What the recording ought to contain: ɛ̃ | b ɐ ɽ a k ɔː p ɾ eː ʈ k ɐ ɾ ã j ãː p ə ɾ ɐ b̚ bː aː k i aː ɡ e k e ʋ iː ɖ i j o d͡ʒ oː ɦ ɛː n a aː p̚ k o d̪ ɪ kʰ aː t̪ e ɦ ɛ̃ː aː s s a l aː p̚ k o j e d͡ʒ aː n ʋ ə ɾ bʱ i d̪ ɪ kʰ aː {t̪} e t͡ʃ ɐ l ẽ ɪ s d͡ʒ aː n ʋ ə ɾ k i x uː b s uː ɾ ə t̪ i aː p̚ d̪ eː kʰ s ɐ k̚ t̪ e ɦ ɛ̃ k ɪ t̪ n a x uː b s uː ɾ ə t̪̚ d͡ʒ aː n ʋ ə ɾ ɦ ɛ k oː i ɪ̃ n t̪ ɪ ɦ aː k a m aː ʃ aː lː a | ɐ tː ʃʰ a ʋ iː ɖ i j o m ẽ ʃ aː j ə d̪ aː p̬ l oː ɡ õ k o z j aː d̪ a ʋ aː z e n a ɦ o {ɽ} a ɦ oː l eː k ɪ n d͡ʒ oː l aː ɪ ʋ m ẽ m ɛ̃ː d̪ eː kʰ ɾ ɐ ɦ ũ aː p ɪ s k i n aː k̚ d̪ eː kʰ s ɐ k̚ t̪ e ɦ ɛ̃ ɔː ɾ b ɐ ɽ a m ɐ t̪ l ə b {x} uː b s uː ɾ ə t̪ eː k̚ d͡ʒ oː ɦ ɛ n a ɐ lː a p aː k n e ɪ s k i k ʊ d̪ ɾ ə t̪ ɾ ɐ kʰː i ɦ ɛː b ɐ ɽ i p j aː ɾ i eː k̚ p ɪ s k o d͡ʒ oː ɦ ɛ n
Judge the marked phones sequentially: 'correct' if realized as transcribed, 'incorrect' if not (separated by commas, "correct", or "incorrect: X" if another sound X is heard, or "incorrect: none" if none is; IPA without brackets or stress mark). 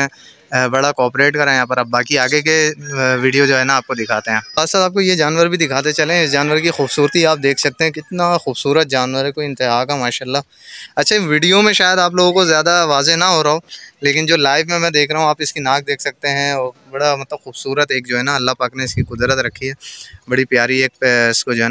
correct, incorrect: ɾ, correct